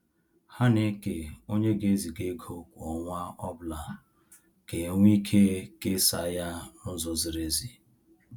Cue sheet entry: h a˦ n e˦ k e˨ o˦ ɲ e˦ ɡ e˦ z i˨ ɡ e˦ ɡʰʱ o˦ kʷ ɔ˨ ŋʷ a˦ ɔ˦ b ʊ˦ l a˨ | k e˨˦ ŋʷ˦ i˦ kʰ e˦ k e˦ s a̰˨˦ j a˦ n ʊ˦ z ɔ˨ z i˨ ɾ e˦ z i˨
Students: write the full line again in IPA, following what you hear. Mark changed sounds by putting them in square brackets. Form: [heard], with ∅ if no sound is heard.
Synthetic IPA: h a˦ n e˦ k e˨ o˦ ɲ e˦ ɡ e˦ z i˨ ɡ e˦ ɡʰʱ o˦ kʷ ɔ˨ ŋʷ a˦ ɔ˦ b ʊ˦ l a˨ | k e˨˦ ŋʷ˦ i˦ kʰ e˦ k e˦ s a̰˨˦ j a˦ n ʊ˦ z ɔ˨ z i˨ ɾ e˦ z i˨